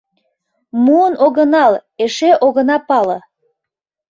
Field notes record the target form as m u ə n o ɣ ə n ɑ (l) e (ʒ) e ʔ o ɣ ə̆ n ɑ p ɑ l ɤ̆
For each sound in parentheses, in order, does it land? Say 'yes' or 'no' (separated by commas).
yes, no